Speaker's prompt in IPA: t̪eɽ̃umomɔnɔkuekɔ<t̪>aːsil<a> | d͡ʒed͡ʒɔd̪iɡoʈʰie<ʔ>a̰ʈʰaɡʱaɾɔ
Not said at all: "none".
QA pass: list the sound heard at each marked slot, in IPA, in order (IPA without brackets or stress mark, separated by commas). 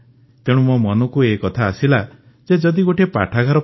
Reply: t̪ʰ, a, p